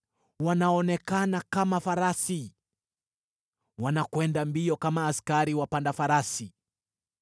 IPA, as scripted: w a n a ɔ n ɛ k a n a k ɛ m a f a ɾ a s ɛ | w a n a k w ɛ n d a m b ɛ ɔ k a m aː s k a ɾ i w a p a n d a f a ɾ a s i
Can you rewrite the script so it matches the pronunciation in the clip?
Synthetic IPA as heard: w a n a ɔ n ɛ k a n a k a m a f a ɾ a s i | w a n a k w ɛ n d a m b i ɔ k a m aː s k a ɾ i w a p a n d a f a ɾ a s i